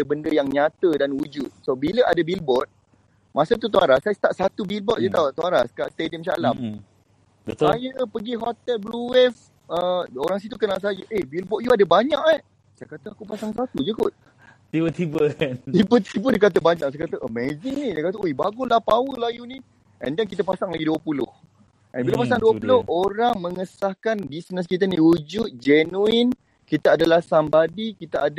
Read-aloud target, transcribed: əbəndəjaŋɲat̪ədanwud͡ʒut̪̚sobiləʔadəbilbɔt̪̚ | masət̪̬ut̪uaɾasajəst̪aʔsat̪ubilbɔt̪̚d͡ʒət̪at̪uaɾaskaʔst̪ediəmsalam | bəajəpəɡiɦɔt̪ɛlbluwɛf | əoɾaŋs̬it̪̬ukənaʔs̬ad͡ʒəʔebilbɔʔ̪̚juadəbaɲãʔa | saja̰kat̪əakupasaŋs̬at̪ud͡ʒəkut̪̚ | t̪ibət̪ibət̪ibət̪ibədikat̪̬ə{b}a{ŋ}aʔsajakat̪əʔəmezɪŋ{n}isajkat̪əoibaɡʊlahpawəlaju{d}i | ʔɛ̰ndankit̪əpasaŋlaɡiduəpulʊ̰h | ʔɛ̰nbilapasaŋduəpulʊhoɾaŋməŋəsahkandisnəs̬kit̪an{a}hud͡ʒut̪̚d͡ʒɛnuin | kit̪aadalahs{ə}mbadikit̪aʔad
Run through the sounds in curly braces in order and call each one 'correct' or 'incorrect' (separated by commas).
correct, incorrect, correct, incorrect, incorrect, incorrect